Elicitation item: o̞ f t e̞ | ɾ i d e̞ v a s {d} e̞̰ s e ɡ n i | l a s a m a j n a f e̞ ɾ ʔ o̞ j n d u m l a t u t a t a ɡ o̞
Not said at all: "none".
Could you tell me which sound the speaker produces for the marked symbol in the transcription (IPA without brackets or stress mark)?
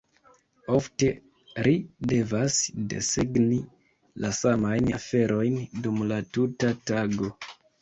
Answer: d